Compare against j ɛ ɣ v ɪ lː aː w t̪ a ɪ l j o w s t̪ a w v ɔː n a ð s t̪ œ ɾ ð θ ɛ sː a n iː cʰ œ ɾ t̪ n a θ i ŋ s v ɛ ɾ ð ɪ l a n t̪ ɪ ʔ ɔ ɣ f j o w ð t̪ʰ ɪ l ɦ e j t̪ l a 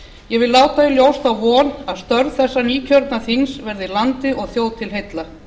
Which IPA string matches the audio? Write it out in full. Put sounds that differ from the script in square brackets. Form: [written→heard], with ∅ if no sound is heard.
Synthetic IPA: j ɛ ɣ v ɪ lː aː w t̪ a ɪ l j o w s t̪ a w v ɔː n a ð s t̪ œ ɾ ð θ ɛ sː a n iː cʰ œ ɾ t̪ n a θ i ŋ s v ɛ ɾ ð ɪ l a n t̪ ɪ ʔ ɔ ɣ [f→θ] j o w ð t̪ʰ ɪ l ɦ e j t̪ l a

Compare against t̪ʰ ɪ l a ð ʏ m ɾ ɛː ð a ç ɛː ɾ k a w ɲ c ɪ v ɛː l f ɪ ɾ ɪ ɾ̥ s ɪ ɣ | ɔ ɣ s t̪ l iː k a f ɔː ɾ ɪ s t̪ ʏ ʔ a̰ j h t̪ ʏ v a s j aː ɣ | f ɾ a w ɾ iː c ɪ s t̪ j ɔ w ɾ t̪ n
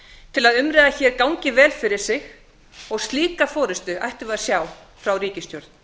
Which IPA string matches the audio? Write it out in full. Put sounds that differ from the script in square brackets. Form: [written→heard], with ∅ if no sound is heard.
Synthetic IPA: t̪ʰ ɪ l a ð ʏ m ɾ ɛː ð a ç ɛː ɾ k a w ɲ c ɪ v ɛː l f ɪ ɾ ɪ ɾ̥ s ɪ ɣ | ɔ ɣ s t̪ l iː k a f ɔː ɾ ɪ s t̪ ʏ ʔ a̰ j h t̪ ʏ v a s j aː [ɣ→w] | f ɾ a w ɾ iː c ɪ s t̪ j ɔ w ɾ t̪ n

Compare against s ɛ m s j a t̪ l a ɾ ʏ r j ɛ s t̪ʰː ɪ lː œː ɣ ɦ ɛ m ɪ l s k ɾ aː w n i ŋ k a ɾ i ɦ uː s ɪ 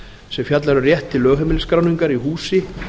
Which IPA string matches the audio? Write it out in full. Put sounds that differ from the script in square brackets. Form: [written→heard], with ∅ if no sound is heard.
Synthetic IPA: s ɛ m [s→f] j a t̪ l a ɾ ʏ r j ɛ [s→h] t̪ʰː ɪ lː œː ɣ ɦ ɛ m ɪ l s k ɾ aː w n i ŋ k a ɾ i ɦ uː s ɪ

